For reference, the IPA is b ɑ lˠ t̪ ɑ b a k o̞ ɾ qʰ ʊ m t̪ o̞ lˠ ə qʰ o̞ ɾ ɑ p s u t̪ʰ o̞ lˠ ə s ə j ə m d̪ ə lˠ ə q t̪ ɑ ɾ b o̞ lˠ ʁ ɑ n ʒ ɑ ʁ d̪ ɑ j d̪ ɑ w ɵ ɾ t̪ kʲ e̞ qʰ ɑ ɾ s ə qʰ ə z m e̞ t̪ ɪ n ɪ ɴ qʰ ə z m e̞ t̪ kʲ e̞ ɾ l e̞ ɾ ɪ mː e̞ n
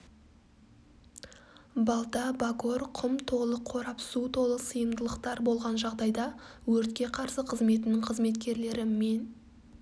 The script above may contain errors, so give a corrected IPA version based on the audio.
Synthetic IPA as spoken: b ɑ lˠ t̪ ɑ b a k o̞ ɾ qʰ ʊ m t̪ʰ o̞ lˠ ə qʰ o̞ ɾ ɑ p s u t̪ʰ o̞ lˠ ə s ə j ə m d̪ ə lˠ ə q t̪ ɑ ɾ b o̞ lˠ ʁ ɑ n ʒ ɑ ʁ d̪ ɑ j d̪ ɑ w ɵ ɾ t̪ kʲ e̞ qʰ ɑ ɾ s ə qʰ ə z m e̞ t̪ ɪ n ɪ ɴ qʰ ə z m e̞ t̪ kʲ e̞ ɾ l e̞ ɾ ɪ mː e̞ n